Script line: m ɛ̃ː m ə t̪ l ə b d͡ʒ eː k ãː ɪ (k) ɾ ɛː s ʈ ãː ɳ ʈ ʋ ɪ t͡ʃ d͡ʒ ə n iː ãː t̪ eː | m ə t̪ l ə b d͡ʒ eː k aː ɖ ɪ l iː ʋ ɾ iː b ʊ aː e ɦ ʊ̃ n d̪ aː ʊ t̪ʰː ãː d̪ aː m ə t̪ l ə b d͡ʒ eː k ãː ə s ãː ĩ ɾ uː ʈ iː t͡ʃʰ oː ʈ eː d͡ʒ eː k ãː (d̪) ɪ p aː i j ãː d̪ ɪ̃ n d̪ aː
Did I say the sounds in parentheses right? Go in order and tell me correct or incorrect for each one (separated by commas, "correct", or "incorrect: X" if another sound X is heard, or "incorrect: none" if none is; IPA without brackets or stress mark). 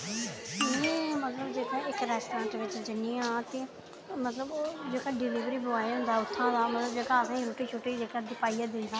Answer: correct, correct